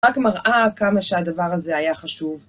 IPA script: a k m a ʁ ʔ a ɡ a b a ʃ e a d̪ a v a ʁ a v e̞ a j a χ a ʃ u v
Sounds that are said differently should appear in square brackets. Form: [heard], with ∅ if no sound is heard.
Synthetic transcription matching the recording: a k m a ʁ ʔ a [k] a [m] a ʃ e a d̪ a v a ʁ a [z] e̞ a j a χ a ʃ u v